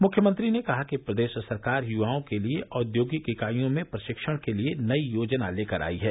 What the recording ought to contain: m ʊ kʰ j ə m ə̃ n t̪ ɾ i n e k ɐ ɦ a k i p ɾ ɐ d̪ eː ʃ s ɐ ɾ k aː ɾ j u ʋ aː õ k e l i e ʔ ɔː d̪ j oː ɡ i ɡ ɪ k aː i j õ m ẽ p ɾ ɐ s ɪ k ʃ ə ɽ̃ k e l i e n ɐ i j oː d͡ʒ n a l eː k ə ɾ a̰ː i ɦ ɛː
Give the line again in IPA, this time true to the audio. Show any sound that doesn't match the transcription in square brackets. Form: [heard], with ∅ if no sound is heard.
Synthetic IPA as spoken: m ʊ kʰ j ə m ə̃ n t̪ ɾ i n e k ɐ ɦ a k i p ɾ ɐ d̪ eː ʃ s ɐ ɾ k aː ɾ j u ʋ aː õ k e l i e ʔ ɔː d̪ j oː ɡ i [k] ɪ k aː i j õ m ẽ p ɾ ɐ [ʃ] ɪ k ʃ ə ɽ̃ k e l i e n ɐ i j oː d͡ʒ n a l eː k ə ɾ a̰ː i ɦ ɛː

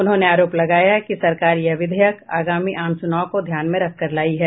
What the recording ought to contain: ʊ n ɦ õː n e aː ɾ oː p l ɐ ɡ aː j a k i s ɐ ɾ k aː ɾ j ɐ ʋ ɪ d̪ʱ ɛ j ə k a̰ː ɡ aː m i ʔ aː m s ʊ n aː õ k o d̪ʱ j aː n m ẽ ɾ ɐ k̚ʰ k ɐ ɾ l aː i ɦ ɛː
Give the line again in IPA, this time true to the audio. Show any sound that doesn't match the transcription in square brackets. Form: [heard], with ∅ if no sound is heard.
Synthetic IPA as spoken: ʊ n ɦ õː n e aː ɾ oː p l ɐ ɡ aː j a k i s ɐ ɾ k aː ɾ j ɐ ʋ ɪ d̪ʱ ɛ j ə k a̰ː ɡ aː m i ʔ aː m s ʊ n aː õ k o d̪ʱ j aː n m ẽ ɾ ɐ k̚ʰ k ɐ ɾ l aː i ɦ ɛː

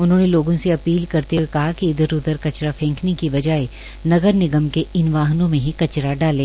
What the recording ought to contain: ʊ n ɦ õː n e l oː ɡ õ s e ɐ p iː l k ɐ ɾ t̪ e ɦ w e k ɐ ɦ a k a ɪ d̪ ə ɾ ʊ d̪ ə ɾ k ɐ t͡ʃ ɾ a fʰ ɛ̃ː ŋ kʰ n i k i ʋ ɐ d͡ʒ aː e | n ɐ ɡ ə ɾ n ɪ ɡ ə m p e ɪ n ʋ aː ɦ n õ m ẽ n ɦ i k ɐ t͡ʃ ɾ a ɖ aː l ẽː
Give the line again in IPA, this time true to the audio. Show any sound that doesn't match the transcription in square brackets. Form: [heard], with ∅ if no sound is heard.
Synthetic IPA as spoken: ʊ n ɦ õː n e l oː ɡ õ s e ɐ p iː l k ɐ ɾ t̪ e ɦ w e k ɐ ɦ a k [i] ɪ d̪ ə ɾ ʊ d̪ ə ɾ k ɐ t͡ʃ ɾ a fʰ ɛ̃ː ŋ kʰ n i k i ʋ ɐ d͡ʒ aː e | n ɐ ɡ ə ɾ n ɪ ɡ ə m [k] e ɪ n ʋ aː ɦ n õ m ẽ [∅] ɦ i k ɐ t͡ʃ ɾ a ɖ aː l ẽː

